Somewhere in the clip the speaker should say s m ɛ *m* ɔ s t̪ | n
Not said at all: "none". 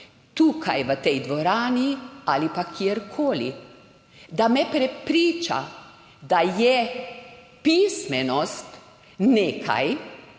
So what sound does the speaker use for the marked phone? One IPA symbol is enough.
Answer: n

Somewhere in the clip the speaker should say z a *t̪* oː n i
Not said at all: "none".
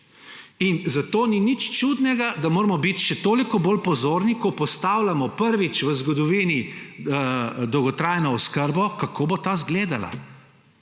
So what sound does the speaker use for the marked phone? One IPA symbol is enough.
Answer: t̪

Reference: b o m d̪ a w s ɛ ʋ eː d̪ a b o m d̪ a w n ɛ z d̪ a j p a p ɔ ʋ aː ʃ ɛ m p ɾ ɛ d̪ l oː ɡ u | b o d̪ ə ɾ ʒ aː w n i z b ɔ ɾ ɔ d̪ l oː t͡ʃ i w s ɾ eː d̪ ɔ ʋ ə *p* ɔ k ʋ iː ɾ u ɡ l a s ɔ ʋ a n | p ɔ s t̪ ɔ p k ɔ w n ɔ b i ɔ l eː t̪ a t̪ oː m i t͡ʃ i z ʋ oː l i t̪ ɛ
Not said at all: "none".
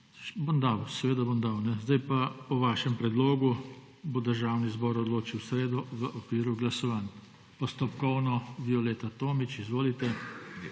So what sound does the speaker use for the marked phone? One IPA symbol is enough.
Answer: ʔ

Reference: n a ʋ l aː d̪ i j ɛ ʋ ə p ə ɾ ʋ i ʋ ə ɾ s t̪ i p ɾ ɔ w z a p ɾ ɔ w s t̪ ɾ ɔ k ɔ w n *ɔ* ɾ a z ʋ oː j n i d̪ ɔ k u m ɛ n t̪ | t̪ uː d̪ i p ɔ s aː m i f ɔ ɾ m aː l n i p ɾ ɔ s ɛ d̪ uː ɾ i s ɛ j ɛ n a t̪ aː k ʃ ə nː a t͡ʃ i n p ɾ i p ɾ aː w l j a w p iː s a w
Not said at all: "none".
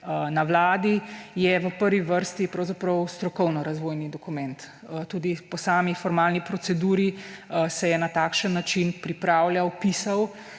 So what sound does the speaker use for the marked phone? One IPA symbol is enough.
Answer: ɔ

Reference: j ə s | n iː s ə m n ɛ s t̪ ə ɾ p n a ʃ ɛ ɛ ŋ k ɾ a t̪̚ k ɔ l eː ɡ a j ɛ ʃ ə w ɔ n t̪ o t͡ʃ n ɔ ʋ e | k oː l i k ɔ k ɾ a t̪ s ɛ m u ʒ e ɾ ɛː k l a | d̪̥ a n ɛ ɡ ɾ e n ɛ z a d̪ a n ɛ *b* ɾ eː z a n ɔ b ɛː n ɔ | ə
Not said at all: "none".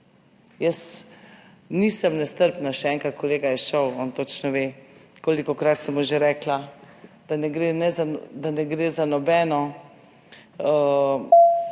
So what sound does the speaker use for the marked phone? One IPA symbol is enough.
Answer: ɡ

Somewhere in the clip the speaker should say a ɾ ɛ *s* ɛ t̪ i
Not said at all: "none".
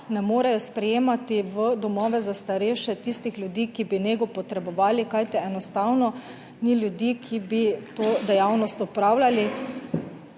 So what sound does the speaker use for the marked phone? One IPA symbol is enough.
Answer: ʃ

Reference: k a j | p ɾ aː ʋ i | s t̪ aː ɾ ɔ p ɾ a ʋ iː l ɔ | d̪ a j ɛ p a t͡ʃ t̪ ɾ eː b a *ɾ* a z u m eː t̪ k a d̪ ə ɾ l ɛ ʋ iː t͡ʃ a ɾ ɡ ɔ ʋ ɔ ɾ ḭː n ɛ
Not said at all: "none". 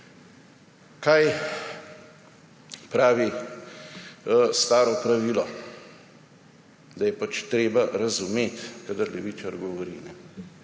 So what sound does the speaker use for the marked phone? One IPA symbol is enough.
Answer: ɾ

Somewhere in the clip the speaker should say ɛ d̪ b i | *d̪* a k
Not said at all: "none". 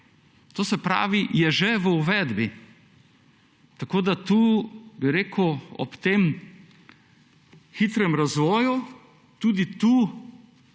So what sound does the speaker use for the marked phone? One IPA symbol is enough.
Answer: t̪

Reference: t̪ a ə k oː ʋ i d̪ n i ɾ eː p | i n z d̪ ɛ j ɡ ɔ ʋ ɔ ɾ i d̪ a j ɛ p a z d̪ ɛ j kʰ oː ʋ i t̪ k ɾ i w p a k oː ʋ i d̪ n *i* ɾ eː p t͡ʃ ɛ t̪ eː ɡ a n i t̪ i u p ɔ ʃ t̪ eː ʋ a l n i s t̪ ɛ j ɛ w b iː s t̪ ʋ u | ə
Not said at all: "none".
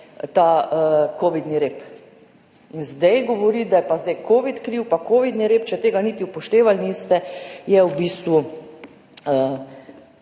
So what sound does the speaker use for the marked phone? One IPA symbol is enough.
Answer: i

